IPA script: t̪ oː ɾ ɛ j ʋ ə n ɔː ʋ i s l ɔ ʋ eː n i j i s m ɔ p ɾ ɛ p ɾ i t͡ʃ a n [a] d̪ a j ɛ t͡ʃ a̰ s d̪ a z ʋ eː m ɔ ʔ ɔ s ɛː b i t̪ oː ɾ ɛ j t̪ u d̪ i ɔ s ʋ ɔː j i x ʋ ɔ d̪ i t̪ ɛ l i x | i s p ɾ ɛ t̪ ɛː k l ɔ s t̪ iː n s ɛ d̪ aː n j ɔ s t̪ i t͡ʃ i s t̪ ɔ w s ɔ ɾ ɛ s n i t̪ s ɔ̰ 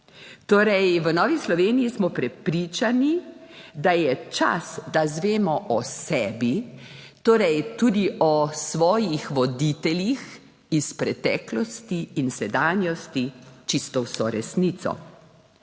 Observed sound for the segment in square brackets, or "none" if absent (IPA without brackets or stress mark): i